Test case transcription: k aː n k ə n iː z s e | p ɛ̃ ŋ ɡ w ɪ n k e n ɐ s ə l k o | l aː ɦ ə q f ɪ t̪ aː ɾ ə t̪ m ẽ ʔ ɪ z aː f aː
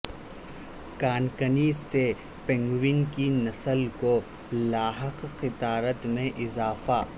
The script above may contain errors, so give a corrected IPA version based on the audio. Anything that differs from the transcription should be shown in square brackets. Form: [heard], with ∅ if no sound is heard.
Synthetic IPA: k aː n k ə n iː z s e | p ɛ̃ ŋ ɡ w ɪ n k [i] n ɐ s ə l k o | l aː ɦ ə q [x] ɪ t̪ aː ɾ ə t̪ m ẽ ʔ ɪ z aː f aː